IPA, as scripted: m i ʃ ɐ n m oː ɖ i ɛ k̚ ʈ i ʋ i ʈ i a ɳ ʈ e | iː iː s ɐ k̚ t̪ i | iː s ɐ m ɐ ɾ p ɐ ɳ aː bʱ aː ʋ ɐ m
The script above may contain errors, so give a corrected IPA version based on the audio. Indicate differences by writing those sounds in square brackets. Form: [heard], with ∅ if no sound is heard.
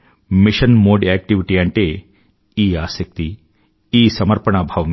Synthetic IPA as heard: m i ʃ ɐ n m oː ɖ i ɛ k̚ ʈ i ʋ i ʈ i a ɳ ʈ e | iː [aː] s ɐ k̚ t̪ i | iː s ɐ m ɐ ɾ p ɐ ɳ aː bʱ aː ʋ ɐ m